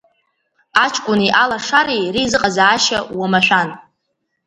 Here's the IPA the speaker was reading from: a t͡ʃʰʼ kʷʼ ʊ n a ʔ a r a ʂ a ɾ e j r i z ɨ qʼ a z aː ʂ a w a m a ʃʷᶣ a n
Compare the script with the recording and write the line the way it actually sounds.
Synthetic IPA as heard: a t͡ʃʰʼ kʷʼ ʊ n i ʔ a l a ʂ a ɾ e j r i z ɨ qʼ a z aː ʃ a w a m a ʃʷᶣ a n